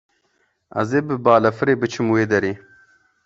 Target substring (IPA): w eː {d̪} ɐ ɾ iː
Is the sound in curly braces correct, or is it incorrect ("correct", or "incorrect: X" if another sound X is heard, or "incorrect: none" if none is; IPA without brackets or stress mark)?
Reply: correct